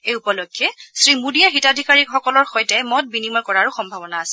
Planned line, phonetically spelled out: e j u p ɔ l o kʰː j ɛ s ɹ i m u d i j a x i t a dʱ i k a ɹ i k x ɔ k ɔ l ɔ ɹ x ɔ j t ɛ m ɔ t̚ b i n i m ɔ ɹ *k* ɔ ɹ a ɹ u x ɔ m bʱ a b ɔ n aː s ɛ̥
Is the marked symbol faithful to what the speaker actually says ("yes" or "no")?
yes